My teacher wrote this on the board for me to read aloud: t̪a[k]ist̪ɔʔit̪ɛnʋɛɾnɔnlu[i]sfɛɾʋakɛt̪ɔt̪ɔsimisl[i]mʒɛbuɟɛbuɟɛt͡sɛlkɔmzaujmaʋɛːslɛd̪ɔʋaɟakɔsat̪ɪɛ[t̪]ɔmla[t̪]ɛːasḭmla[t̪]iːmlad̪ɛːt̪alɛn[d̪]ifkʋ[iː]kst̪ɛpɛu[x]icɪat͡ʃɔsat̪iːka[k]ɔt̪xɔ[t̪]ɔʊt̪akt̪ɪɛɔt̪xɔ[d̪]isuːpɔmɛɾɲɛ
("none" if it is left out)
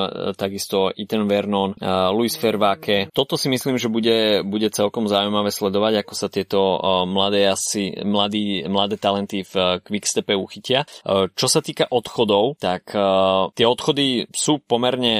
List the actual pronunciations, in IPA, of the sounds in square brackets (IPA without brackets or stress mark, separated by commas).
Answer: ɡ, i, iː, t̪, d̪, d̪, t̪, i, x, ʔ, d̪, d̪